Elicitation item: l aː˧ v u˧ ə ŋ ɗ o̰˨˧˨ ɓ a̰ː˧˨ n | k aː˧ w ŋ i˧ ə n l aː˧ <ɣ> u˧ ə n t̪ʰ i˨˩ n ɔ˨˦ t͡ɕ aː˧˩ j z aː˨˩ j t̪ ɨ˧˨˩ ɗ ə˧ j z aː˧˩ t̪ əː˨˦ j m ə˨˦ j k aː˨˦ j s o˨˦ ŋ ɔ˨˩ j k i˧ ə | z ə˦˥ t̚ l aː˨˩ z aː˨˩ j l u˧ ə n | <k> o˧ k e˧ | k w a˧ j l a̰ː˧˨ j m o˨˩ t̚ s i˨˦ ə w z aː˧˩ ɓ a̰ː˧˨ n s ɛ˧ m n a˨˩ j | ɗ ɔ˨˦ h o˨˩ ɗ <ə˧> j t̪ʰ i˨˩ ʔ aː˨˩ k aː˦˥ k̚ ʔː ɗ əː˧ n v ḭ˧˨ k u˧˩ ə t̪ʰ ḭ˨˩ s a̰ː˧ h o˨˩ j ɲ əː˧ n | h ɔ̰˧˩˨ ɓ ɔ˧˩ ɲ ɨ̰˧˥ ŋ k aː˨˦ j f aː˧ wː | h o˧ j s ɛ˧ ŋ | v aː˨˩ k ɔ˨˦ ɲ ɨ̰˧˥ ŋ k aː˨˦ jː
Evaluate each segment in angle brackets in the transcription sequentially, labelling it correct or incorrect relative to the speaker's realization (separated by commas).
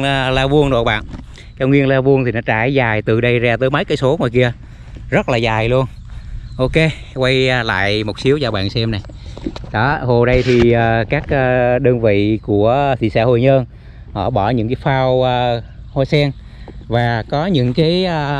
incorrect, incorrect, correct